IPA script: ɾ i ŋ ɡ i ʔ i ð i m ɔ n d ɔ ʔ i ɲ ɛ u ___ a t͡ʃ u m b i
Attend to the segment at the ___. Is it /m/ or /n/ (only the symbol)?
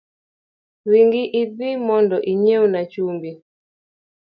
n